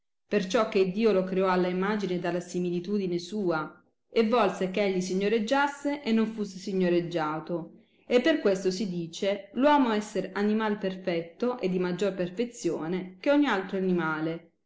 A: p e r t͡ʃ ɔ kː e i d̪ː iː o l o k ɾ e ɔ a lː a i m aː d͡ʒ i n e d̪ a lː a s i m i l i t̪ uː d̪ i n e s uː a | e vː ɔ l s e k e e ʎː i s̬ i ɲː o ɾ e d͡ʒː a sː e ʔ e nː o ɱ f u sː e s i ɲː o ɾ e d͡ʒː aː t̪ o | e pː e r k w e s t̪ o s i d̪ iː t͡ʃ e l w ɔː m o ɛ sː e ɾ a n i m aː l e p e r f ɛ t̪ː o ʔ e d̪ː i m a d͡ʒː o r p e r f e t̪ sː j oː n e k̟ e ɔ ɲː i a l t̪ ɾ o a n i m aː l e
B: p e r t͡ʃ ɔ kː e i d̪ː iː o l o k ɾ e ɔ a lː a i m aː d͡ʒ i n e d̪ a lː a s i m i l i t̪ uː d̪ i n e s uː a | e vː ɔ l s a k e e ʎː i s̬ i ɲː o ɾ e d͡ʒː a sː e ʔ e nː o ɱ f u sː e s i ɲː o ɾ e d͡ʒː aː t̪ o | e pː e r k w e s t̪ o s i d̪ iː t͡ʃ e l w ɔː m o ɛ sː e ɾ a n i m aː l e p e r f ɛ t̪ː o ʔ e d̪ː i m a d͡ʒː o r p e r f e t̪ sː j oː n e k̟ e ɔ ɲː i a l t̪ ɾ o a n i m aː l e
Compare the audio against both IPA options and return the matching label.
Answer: A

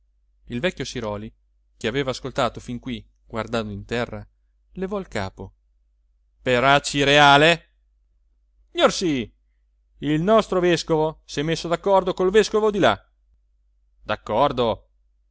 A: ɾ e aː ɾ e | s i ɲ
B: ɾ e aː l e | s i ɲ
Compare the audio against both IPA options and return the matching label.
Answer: B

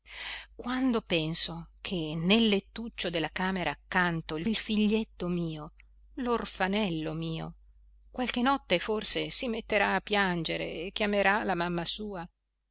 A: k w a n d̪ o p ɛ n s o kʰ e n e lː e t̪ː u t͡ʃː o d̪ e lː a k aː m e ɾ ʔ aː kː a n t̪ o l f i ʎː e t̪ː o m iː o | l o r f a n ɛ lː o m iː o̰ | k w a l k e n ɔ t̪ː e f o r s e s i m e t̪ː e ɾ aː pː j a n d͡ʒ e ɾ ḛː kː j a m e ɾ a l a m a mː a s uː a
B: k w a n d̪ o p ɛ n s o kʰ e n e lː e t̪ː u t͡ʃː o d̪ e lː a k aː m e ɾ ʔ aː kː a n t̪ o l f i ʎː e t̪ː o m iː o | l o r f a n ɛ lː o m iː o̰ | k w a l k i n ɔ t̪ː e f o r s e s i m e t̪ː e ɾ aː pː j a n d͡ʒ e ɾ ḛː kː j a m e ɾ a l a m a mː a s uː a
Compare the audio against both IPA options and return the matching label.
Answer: A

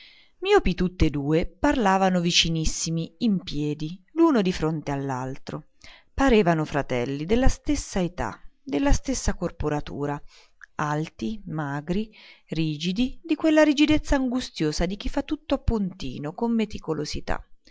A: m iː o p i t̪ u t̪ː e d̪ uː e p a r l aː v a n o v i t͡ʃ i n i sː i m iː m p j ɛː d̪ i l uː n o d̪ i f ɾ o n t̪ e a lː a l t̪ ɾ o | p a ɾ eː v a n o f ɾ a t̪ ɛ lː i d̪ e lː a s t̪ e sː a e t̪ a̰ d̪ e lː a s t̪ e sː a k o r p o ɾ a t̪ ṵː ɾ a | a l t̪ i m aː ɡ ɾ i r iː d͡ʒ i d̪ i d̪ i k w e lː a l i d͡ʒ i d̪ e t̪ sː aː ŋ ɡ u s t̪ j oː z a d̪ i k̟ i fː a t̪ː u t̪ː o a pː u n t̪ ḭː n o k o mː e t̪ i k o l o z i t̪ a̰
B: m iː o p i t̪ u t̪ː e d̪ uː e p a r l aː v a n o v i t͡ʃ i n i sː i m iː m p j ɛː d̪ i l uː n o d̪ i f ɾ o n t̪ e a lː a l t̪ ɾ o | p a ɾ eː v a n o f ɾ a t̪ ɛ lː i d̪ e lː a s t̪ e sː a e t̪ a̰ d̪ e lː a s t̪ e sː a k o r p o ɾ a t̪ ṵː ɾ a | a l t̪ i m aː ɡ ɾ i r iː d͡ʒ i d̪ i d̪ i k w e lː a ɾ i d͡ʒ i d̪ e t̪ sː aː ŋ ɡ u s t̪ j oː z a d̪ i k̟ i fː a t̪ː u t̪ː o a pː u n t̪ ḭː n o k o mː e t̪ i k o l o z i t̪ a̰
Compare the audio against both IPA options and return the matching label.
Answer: B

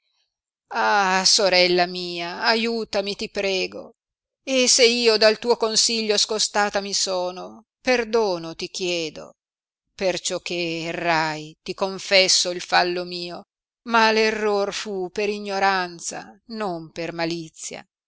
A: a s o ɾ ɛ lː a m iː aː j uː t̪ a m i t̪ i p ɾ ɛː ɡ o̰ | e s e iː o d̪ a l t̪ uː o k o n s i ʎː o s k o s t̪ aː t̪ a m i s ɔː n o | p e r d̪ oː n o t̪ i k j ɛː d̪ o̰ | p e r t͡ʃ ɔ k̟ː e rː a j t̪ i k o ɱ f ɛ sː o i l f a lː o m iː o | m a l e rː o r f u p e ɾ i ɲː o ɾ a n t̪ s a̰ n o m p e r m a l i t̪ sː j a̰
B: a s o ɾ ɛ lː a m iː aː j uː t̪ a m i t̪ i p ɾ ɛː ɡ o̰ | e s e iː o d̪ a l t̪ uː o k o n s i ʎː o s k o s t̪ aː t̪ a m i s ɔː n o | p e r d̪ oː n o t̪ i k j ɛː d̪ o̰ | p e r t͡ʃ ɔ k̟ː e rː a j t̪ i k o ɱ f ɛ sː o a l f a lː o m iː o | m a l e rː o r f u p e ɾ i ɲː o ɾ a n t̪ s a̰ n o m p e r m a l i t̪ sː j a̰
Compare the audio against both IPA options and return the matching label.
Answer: A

